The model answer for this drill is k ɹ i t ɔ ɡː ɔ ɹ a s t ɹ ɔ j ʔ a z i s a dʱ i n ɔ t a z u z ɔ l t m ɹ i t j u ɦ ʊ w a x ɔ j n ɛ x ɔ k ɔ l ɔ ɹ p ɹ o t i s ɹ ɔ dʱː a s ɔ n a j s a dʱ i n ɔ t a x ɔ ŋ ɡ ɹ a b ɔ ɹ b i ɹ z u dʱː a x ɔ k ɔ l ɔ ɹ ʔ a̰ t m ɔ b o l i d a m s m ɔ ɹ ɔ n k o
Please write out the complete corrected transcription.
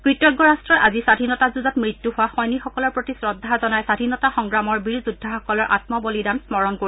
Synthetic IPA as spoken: k ɹ i t ɔ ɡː ɔ ɹ a s t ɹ ɔ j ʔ a z i s a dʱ i n ɔ t a z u z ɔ t m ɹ i t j u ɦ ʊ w a x ɔ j n i x ɔ k ɔ l ɔ ɹ p ɹ o t i s ɹ ɔ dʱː a z ɔ n a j s a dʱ i n ɔ t a x ɔ ŋ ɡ ɹ a m ɔ ɹ b i ɹ z u dʱː a x ɔ k ɔ l ɔ ɹ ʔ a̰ t m ɔ b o l i d a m s m ɔ ɹ ɔ n k o

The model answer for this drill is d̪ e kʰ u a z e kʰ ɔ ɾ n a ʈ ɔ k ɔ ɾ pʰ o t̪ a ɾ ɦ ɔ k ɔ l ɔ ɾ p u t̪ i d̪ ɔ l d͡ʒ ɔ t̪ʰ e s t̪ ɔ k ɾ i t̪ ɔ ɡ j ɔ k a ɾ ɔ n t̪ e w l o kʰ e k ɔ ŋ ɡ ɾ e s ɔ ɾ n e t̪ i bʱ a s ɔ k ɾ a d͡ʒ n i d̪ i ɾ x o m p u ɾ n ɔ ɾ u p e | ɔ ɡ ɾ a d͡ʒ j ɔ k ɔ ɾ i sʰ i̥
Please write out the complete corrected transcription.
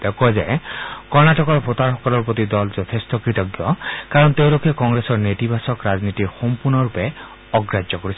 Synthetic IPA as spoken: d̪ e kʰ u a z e k ɔ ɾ n a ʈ ɔ k ɔ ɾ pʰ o t̪ a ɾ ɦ ɔ k ɔ l ɔ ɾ p ɔ t̪ i d̪ ɔ l d͡ʒ ɔ t̪ʰ e s t̪ ɔ k ɾ i t̪ ɔ ɡ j ɔ k a ɾ ɔ n t̪ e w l o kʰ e k ɔ ŋ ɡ ɾ e s ɔ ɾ n e t̪ i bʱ a s ɔ k ɾ a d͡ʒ n i t̪ i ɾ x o m p u ɾ n ɔ ɾ u p e | ɔ ɡ ɾ a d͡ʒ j ɔ k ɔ ɾ i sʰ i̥

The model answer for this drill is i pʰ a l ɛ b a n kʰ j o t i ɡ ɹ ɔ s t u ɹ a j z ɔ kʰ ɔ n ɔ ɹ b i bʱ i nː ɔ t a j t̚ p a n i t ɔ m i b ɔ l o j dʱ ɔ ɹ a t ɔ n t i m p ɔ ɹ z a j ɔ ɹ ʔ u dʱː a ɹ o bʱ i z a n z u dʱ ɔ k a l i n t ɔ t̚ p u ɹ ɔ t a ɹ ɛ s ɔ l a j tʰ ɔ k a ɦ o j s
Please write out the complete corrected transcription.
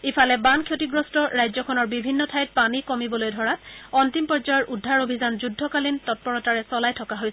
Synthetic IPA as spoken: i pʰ a l ɛ b a n kʰ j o t i ɡ ɹ ɔ s t ɔ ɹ a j z ɔ kʰ ɔ n ɔ ɹ b i bʱ i nː ɔ tʰ a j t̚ p a n i k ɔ m i b ɔ l o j dʱ ɔ ɹ a t ɔ n t i m p ɔ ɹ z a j ɔ ɹ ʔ u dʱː a ɹ o bʱ i z a n z u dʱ ɔ k a l i n t ɔ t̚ p ɔ ɹ ɔ t a ɹ ɛ s ɔ l a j tʰ ɔ k a ɦ o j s

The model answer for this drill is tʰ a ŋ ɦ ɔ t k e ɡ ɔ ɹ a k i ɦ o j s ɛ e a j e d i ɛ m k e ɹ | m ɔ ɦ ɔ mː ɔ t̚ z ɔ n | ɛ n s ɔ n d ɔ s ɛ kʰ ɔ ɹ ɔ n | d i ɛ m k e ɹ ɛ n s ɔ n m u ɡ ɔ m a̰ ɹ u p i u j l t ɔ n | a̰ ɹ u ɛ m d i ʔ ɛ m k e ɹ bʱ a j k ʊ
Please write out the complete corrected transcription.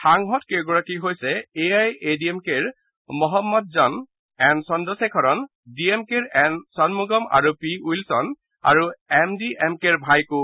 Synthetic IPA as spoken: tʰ a ŋ ɦ ɔ t k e ɡ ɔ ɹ a k i ɦ o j s ɛ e a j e d i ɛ m k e ɹ | m ɔ ɦ ɔ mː ɔ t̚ z ɔ n | ɛ n s ɔ n d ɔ s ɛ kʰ ɔ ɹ ɔ n | d i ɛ m k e ɹ ɛ n s ɔ n m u ɡ ɔ m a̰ ɹ u p i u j l s ɔ n | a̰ ɹ u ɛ m d i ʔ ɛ m k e ɹ bʱ a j k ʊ

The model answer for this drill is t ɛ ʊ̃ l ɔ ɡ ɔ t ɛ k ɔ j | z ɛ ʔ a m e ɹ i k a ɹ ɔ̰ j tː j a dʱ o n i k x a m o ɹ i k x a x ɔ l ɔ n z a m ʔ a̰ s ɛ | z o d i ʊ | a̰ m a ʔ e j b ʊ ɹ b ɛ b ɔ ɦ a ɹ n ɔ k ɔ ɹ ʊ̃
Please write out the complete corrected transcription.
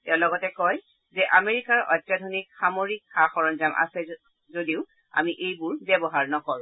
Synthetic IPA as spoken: t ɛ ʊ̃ l ɔ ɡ ɔ t ɛ k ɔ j | z ɛ ʔ a m e ɹ i k a ɹ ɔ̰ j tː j a dʱ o n i k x a m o ɹ i k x a x ɔ ɹ ɔ n z a m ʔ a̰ s ɛ | z o d i ʊ | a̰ m i ʔ e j b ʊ ɹ b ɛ b ɔ ɦ a ɹ n ɔ k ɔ ɹ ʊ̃

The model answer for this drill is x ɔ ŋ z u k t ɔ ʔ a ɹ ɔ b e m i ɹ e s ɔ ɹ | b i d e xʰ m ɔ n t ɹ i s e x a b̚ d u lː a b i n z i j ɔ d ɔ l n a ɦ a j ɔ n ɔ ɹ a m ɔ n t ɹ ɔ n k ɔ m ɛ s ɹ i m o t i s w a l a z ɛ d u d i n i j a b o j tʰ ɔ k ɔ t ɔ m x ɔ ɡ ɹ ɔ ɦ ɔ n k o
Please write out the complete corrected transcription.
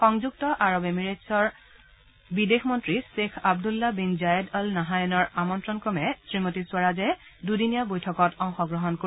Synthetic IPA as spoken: x ɔ ŋ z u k t ɔ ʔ a ɹ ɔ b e m i ɹ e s ɔ ɹ | b i d e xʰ m ɔ n t ɹ i s e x a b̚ d u lː a b i n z a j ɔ d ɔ l n a ɦ a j ɔ n ɔ ɹ a m ɔ n t ɹ ɔ n k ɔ m ɛ s ɹ i m o t i s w a ɹ a z ɛ d u d i n i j a b o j tʰ ɔ k ɔ t ɔ ŋ x ɔ ɡ ɹ ɔ ɦ ɔ n k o

